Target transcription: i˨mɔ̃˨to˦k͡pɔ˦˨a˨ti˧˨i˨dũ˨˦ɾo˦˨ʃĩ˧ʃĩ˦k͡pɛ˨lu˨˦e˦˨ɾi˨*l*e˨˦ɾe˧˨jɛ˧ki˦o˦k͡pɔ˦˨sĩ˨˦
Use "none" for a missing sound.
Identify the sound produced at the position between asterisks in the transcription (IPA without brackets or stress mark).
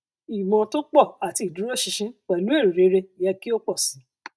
ɾ